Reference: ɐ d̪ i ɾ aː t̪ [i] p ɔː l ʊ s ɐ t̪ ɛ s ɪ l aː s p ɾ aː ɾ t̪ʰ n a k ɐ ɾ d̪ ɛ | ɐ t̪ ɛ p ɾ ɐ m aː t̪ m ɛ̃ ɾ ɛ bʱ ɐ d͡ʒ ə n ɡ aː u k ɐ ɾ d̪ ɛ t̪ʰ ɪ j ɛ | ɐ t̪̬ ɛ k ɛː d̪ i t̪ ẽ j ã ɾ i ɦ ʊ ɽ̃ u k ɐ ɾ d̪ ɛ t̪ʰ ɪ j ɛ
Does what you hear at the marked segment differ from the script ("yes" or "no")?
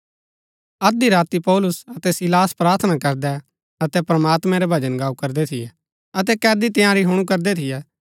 no